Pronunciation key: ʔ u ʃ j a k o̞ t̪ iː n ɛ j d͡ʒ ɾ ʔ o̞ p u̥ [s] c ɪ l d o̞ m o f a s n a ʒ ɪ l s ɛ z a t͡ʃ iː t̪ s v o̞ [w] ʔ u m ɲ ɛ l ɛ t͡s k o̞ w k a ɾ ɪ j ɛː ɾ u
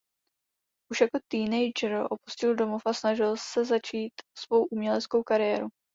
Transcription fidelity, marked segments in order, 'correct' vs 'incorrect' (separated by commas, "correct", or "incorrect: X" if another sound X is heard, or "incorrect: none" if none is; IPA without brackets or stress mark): correct, correct